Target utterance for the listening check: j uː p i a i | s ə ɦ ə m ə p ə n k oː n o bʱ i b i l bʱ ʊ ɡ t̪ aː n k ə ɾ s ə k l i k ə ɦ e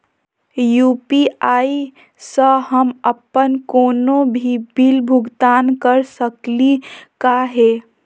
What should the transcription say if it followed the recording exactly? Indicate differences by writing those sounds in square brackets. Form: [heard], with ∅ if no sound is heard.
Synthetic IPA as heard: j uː p i a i | s ə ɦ ə m ə p ə n k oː n o bʱ i b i l bʱ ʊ ɡ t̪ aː n k ə ɾ s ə k l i k [a] ɦ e